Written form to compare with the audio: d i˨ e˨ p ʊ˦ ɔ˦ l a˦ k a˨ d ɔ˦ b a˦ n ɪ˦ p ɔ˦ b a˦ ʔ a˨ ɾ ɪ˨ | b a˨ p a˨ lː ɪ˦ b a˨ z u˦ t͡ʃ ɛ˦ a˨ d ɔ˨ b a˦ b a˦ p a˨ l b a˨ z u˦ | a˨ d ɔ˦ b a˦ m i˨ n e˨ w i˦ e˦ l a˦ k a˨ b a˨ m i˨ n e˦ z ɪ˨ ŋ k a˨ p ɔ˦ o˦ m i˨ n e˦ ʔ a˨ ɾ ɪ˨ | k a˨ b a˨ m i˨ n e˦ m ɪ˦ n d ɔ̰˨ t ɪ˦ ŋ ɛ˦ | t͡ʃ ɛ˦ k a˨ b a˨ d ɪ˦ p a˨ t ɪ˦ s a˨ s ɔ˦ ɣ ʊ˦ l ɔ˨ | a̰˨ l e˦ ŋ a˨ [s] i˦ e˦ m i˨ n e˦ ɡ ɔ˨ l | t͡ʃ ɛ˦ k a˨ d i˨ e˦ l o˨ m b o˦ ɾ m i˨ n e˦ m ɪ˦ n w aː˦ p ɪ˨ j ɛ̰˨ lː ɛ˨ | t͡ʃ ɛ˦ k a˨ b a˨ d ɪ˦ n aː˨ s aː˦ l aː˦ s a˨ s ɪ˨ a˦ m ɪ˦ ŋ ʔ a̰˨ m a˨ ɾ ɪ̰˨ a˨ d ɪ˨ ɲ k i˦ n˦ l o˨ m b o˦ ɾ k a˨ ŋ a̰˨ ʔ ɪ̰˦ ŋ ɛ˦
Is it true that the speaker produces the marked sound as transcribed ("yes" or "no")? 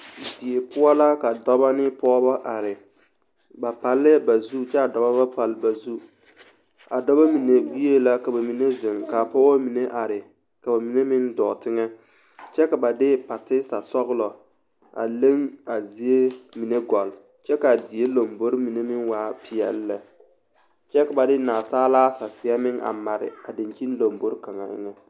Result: no